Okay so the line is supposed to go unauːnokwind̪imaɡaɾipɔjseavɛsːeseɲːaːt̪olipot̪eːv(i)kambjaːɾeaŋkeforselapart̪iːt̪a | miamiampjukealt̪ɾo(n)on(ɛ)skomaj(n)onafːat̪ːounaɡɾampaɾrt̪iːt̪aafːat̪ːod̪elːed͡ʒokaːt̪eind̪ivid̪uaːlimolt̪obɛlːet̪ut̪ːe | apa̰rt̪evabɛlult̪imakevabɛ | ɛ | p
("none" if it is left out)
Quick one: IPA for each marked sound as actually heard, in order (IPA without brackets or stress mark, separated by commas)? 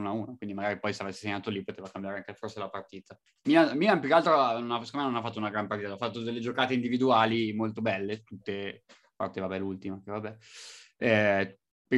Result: a, n, a, n